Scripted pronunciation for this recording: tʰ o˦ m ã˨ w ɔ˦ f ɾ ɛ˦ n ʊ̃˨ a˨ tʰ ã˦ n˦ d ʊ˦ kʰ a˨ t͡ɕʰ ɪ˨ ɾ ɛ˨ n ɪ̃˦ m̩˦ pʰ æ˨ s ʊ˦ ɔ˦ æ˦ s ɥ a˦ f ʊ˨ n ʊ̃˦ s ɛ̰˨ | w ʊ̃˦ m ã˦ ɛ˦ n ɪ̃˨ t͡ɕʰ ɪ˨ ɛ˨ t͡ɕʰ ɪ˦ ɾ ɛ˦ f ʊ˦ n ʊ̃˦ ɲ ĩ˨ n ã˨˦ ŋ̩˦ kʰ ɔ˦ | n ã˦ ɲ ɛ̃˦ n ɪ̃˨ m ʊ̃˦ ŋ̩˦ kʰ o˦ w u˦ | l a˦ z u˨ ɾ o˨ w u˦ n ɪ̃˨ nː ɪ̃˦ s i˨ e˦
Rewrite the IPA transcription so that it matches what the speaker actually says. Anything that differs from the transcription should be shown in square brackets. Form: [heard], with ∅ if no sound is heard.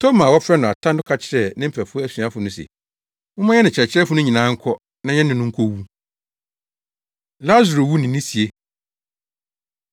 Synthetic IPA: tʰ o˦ m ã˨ w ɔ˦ f ɾ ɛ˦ n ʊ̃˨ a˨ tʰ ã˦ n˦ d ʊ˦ kʰ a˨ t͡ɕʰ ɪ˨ ɾ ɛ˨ n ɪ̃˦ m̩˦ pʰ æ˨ [f] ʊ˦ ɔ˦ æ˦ s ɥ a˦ f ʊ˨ n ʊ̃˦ s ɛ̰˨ | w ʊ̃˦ m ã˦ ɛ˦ n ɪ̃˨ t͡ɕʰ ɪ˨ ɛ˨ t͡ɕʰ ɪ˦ ɾ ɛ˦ f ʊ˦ n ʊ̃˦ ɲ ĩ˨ n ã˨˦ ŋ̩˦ kʰ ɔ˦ | n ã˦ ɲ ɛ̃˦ n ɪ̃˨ [n] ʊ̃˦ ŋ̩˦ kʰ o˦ w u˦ | l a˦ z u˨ ɾ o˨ w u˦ n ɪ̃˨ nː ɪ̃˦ s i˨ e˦

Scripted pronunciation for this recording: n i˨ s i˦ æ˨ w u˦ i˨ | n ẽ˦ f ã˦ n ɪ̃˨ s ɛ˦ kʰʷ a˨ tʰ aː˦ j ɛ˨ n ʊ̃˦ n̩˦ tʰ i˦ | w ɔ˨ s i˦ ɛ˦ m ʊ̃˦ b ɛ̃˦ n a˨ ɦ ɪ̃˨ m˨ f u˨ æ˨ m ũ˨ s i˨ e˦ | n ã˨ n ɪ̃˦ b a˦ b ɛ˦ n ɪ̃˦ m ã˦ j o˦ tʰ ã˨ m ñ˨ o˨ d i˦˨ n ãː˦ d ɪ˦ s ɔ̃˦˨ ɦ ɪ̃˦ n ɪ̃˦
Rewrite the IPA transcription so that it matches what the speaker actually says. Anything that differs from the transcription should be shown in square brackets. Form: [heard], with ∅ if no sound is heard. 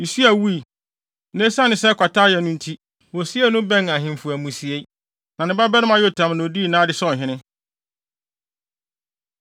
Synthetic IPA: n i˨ s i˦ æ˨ w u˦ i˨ | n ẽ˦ [s] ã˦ n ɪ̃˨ s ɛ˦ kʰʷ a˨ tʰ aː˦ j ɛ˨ n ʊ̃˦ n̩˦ tʰ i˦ | w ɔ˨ s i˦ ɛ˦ [n] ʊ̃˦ b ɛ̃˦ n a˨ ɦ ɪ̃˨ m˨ f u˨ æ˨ m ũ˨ s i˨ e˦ | n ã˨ n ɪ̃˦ b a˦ b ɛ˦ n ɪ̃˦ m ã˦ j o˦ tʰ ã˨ m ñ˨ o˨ d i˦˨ n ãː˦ d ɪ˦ s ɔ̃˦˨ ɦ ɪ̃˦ n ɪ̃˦

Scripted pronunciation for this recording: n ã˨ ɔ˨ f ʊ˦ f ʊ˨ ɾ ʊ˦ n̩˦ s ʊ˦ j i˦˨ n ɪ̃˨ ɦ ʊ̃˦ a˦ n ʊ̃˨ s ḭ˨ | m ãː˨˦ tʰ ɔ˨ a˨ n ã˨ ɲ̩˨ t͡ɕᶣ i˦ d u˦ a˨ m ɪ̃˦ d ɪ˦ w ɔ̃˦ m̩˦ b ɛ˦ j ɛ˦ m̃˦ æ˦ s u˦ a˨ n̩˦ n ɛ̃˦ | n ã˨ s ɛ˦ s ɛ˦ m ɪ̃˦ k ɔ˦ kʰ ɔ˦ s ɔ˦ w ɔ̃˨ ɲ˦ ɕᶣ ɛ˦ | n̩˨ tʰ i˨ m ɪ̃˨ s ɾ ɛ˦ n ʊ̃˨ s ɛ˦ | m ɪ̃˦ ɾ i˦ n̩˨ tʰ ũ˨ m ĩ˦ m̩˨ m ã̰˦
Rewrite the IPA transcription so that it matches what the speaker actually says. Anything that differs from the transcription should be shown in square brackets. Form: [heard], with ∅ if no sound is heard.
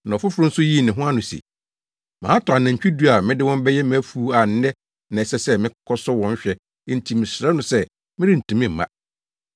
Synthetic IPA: n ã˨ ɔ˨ f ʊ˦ f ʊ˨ ɾ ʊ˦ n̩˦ s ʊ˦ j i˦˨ n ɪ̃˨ ɦ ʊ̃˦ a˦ n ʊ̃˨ s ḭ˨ | m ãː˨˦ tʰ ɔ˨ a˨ n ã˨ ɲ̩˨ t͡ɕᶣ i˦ d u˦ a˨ m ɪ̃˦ d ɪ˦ w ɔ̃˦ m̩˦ b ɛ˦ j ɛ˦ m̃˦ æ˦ [f] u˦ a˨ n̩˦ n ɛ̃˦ | n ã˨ s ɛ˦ s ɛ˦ m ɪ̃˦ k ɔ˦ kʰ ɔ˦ s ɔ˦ w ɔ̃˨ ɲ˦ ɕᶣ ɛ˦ | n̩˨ tʰ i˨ m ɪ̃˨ s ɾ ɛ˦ n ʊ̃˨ s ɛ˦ | m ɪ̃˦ ɾ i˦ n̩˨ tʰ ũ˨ m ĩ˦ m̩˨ m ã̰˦

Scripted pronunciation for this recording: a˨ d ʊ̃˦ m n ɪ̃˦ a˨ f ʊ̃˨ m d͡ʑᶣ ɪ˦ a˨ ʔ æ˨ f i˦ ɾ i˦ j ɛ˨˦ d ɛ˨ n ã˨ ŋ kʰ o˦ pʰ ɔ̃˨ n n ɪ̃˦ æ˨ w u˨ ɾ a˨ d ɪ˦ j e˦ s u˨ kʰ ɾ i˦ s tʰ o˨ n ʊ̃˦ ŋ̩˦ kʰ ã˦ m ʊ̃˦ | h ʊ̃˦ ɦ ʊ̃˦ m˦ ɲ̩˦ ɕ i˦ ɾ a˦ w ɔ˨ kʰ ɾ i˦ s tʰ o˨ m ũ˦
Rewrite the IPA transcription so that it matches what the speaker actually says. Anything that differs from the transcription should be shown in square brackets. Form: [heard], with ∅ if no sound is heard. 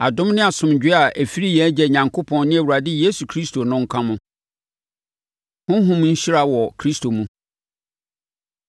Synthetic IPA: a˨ d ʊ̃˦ m n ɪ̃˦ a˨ [s] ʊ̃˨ m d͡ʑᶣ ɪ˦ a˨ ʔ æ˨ f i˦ ɾ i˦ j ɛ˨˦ [d͡ʑ] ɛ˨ [ɲ] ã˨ ŋ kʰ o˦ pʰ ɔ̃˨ n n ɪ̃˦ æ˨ w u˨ ɾ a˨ d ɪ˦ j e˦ s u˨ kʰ ɾ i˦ s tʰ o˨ n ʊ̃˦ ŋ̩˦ kʰ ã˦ m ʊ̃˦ | h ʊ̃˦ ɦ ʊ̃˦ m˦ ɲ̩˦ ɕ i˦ ɾ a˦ w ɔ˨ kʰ ɾ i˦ s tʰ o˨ m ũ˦

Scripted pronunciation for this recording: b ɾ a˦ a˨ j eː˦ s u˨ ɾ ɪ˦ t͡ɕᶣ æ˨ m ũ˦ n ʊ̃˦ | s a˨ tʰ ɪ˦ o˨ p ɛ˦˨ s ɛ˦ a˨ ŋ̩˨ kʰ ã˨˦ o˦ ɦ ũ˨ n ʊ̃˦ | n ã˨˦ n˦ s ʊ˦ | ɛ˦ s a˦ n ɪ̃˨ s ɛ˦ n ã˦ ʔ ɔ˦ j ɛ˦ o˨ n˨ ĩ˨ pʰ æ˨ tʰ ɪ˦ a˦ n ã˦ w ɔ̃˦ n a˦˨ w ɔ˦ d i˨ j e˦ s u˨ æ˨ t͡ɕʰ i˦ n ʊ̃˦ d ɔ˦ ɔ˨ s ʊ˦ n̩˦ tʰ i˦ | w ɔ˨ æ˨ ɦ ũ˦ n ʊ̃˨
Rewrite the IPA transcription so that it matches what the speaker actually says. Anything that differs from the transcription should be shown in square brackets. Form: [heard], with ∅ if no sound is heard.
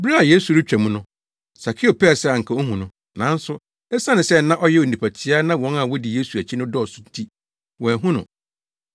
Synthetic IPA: b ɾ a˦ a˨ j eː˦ s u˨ ɾ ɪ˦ t͡ɕᶣ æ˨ m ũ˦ n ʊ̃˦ | s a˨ [kʰ] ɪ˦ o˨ p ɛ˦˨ s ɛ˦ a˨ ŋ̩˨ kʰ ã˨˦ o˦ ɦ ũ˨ n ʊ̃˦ | n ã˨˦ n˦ s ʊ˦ | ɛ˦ s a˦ n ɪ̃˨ s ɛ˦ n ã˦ ʔ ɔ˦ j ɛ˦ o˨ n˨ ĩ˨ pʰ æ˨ tʰ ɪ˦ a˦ n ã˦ w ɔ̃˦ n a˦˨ w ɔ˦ d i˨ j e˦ s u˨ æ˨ t͡ɕʰ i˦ n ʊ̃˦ d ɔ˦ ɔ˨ s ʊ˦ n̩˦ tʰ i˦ | w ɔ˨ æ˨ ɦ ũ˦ n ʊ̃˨

